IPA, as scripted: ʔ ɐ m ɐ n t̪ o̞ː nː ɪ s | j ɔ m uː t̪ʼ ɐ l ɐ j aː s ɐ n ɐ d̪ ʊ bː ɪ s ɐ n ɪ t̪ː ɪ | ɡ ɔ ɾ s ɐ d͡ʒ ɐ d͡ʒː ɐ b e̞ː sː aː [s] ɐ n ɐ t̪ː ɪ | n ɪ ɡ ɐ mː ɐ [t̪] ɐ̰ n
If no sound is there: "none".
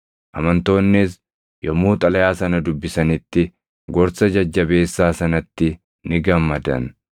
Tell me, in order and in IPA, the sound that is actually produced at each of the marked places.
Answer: s, d̪

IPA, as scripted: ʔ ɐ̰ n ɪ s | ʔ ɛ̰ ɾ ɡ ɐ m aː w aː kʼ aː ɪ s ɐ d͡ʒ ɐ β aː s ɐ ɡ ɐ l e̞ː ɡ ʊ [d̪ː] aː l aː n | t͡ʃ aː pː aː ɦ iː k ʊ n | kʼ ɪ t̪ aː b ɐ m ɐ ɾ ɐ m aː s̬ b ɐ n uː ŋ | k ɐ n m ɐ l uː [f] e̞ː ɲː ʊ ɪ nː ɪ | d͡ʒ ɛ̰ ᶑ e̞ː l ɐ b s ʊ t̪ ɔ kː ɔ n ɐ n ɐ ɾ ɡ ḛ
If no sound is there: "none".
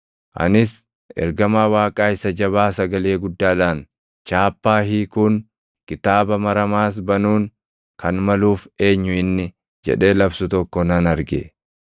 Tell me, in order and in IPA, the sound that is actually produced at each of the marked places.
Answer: d̪ː, f

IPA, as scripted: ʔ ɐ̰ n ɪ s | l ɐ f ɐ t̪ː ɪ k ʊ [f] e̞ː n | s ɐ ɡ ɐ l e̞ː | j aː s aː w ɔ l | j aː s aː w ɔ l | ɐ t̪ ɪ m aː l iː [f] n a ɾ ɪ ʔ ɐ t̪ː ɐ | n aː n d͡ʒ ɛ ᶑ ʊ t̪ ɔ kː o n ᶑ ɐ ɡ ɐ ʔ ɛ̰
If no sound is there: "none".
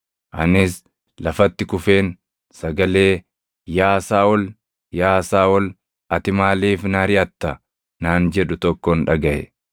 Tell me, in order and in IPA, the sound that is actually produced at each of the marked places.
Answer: f, f

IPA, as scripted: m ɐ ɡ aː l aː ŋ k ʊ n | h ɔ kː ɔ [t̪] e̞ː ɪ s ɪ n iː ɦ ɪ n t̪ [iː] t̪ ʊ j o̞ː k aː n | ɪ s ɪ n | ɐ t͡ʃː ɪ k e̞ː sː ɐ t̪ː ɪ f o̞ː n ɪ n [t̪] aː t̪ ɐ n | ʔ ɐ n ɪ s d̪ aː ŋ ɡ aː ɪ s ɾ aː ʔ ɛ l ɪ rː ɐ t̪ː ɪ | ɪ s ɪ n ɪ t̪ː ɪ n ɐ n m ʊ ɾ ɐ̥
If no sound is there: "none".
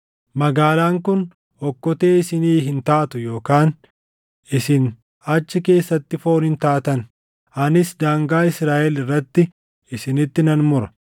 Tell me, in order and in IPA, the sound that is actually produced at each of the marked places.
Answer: t̪, aː, t̪

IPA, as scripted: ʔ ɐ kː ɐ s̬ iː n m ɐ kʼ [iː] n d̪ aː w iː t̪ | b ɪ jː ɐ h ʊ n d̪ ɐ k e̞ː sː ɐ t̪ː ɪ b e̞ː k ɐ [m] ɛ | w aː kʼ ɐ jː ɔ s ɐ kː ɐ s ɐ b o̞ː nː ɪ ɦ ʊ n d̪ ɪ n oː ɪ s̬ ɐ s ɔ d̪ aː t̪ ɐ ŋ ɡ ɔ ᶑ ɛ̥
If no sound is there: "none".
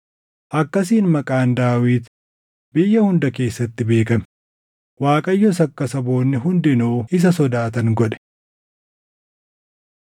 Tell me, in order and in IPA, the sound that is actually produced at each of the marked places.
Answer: aː, m

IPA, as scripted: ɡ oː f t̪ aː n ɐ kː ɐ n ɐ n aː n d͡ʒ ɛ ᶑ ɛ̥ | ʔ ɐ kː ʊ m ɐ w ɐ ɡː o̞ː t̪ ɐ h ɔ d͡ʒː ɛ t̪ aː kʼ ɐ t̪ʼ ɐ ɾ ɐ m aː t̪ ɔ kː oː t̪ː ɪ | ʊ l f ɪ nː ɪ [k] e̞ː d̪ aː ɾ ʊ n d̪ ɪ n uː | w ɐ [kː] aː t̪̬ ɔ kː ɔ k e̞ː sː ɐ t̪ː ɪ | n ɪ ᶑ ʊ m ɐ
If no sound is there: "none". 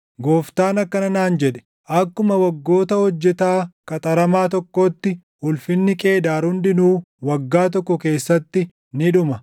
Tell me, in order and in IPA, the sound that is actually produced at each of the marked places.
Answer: kʼ, ɡː

